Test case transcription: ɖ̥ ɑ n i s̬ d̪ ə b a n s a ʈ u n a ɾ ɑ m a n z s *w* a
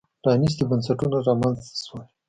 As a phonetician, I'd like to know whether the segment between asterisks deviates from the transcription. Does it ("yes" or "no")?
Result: no